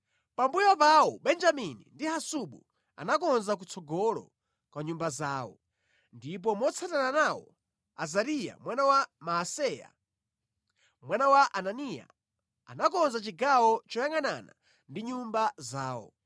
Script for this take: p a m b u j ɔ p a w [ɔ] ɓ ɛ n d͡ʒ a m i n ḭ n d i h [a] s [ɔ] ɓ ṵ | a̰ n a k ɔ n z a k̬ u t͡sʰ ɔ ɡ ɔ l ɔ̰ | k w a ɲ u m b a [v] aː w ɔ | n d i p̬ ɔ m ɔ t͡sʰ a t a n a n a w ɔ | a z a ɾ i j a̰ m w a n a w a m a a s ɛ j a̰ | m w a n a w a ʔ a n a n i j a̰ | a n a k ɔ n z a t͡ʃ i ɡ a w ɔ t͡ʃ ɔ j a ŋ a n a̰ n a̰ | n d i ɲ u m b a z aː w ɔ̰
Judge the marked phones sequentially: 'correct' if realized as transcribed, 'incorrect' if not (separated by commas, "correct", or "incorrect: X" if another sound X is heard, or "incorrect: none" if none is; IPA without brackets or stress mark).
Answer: correct, correct, incorrect: u, incorrect: z